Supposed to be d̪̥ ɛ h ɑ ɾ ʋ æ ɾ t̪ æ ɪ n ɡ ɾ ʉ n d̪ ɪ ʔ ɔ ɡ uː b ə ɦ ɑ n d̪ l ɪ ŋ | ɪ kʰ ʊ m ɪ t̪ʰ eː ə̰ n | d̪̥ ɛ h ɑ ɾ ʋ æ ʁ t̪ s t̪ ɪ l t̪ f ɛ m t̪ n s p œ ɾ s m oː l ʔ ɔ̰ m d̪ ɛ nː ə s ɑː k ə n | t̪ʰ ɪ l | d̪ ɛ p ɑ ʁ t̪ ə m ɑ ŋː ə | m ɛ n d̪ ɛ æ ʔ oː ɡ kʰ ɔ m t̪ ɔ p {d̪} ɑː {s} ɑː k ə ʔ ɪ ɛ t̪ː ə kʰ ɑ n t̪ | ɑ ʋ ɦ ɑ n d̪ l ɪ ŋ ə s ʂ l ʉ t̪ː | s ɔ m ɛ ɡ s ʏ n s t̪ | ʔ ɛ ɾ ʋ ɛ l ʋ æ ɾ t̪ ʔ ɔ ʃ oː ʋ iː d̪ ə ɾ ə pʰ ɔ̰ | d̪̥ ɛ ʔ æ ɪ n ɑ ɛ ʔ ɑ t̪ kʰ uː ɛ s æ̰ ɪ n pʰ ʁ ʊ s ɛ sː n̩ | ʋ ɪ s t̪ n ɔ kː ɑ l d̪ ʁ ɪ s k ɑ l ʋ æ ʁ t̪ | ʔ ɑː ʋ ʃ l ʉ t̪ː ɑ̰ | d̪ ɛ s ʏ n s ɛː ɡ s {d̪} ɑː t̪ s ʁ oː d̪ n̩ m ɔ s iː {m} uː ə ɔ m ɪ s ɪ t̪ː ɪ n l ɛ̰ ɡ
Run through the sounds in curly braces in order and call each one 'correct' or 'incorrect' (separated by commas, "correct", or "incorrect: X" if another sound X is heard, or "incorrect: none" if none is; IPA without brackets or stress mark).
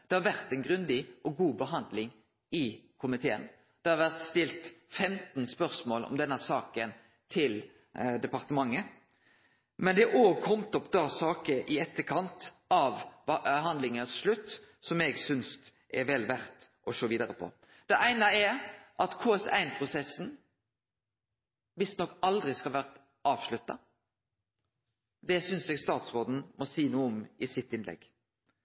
correct, correct, incorrect: t̪, incorrect: n